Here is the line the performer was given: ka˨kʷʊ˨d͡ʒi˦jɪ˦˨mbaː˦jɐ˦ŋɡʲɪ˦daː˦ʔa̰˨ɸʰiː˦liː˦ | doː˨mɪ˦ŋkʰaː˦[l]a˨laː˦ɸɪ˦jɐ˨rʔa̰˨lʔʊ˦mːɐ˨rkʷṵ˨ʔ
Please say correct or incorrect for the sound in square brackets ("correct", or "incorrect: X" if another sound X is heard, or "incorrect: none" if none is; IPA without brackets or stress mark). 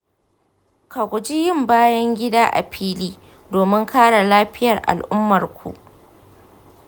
incorrect: ɽ